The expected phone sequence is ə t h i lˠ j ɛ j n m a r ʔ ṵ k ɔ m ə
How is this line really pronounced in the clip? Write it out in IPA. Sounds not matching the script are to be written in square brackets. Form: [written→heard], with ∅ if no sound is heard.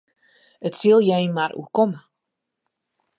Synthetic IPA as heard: ə t [h→s] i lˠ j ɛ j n m a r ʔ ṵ k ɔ m ə